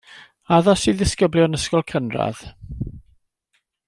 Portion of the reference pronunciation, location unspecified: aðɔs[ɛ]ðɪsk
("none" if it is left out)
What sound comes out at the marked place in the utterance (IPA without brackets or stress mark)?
i